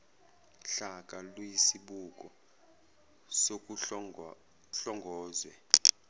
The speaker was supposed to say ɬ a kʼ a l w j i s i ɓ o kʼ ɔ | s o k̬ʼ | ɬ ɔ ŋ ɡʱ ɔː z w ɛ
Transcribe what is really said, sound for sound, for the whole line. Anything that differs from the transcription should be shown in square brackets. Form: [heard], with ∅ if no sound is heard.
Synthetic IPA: ɬ a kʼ a l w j i s i ɓ [u] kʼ ɔ | s o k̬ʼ | ɬ ɔ ŋ ɡʱ ɔː z w ɛ